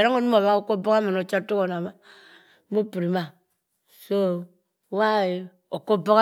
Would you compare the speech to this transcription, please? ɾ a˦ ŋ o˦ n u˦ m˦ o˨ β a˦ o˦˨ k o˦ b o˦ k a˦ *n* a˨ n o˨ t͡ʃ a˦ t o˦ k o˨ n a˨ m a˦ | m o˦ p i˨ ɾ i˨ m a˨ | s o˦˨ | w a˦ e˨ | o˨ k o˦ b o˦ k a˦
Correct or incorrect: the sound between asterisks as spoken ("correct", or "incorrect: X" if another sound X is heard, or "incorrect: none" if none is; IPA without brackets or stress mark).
incorrect: m